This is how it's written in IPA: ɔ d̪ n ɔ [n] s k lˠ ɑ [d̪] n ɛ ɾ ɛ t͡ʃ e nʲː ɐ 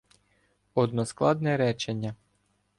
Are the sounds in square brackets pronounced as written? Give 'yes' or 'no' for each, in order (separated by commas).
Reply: no, yes